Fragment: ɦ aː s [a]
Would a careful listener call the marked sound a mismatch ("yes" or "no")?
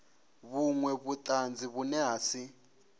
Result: yes